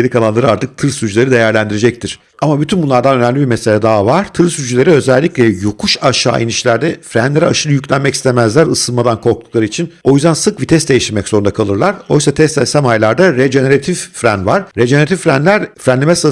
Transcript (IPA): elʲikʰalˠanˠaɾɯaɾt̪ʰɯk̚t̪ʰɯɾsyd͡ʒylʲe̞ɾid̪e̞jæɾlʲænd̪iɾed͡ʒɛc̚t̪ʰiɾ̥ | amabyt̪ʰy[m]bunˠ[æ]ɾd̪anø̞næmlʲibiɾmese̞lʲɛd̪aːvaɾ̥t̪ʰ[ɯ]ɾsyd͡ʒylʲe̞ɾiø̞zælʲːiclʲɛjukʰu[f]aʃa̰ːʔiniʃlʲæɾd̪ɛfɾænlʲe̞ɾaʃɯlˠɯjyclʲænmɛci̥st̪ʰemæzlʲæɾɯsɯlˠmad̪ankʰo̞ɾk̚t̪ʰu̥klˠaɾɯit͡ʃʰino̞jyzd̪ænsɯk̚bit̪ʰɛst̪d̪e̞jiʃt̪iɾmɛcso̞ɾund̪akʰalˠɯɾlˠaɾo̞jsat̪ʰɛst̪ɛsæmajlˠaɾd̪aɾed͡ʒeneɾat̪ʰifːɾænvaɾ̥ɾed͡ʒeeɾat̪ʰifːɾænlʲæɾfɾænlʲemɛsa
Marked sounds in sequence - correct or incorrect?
incorrect, incorrect, correct, incorrect

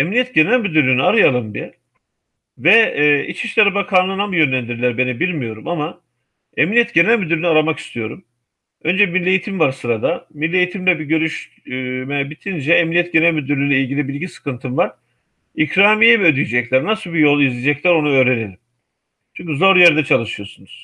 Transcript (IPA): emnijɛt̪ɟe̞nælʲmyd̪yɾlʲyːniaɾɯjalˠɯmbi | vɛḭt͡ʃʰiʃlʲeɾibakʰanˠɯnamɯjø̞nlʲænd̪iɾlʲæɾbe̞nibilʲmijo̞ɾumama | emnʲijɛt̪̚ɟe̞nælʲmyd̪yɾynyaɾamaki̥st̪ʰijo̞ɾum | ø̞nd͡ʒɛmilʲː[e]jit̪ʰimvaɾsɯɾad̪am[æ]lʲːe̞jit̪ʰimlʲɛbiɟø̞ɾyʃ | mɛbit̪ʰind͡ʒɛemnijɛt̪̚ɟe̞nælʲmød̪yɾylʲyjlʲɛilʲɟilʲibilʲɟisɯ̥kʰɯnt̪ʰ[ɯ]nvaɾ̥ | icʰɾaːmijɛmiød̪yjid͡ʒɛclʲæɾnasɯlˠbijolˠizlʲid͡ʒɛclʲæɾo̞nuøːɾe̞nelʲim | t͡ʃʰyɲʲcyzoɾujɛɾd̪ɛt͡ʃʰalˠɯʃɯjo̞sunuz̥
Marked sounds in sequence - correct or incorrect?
correct, incorrect, correct

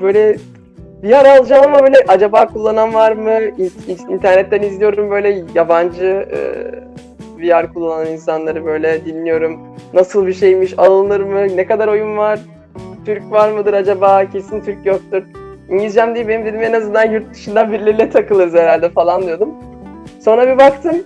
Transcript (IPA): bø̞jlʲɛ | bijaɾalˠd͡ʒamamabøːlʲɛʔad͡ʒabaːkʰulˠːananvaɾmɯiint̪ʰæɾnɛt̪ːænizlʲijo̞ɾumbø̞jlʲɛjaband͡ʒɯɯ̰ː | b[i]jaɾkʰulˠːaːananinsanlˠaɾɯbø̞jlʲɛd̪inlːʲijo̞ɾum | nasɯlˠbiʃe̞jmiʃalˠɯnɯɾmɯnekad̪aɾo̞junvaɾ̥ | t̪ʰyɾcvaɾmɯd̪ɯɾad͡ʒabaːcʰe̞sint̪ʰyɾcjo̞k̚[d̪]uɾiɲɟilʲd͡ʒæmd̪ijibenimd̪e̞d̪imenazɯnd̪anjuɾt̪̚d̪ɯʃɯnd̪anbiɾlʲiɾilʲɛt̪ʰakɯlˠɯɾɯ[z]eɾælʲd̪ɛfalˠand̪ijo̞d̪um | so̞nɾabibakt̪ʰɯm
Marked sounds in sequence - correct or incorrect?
correct, incorrect, correct

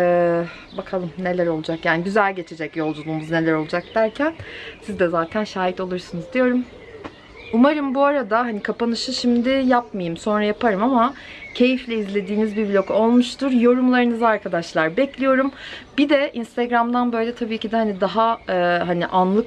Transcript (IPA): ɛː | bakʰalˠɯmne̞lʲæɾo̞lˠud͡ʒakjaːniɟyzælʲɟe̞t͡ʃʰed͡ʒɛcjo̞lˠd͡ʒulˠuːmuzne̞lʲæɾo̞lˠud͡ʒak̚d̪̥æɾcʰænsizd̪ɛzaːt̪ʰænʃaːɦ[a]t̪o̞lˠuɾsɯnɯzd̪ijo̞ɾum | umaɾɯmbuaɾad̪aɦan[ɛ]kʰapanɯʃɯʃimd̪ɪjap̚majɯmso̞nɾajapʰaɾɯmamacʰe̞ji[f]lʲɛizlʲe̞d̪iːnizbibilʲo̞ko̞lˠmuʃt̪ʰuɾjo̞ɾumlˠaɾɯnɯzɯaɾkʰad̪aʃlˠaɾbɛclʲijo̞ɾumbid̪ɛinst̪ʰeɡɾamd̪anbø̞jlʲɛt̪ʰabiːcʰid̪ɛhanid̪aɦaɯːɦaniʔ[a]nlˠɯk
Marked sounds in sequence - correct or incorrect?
incorrect, incorrect, correct, correct

